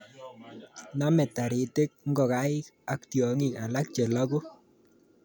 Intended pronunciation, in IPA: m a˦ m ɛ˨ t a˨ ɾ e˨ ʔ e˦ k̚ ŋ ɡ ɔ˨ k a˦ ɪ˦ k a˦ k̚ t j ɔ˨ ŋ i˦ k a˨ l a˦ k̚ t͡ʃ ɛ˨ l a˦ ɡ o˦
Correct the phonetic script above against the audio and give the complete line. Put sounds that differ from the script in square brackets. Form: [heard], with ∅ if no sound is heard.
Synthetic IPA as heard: [n] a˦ m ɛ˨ t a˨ ɾ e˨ [t] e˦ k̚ ŋ ɡ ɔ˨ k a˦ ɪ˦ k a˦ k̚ t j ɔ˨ ŋ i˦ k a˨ l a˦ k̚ t͡ʃ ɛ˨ l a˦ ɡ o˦